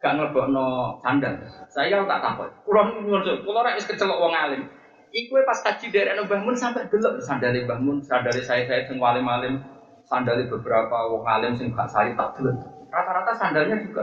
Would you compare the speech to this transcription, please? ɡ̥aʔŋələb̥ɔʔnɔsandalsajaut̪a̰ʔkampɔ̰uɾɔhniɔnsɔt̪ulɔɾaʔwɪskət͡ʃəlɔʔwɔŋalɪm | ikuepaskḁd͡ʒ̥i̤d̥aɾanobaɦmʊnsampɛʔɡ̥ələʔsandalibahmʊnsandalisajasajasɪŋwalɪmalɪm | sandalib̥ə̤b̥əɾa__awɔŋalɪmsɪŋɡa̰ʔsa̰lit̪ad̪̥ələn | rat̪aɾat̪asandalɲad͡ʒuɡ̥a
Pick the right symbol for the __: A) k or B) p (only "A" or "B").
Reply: B